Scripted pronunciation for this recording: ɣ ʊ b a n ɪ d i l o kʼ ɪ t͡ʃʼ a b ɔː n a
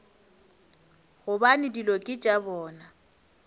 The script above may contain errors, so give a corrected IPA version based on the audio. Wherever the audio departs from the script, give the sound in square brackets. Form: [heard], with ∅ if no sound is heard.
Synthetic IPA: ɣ ʊ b a n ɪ d i l o kʼ ɪ t͡ʃʼ a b ɔː n a